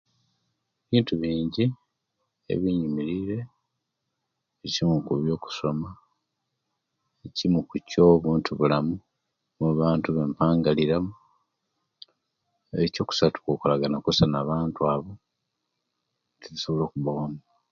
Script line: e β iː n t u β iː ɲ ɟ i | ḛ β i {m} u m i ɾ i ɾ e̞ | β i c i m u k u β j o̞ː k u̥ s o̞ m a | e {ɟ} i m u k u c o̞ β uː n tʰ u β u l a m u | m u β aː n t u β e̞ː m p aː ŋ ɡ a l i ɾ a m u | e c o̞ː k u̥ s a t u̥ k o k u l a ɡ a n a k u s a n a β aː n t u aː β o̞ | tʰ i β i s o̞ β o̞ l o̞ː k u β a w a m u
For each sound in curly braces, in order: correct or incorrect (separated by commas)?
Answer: incorrect, incorrect